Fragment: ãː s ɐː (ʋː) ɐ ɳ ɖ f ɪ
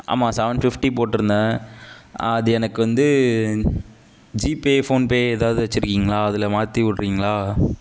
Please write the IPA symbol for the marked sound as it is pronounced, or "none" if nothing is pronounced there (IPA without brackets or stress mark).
ʋ